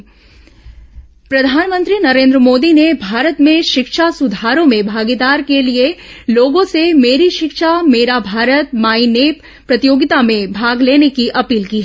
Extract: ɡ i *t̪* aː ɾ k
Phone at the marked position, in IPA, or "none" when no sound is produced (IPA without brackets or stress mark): d̪